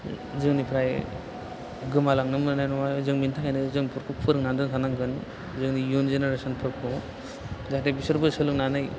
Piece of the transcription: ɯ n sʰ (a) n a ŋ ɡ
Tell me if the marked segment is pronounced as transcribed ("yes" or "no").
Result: yes